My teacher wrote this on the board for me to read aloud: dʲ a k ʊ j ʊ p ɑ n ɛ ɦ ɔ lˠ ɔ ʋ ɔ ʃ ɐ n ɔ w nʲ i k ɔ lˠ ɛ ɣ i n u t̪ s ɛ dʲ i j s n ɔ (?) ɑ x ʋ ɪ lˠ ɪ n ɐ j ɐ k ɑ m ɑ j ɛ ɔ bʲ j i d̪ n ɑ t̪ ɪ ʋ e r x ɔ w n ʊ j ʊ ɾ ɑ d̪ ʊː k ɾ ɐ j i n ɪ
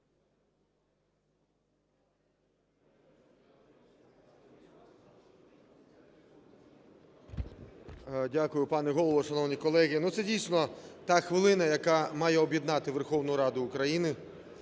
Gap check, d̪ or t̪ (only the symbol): t̪